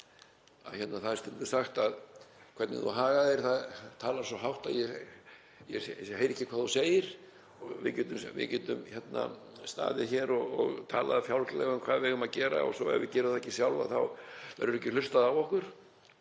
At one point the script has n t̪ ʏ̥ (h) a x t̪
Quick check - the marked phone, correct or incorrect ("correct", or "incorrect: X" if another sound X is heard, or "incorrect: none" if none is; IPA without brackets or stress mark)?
incorrect: s